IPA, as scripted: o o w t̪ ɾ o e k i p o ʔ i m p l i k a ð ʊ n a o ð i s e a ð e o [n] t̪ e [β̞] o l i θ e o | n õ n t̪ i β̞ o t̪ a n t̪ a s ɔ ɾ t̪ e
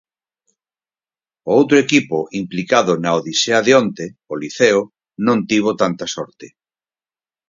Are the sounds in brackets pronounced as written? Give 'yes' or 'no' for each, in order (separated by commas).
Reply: yes, no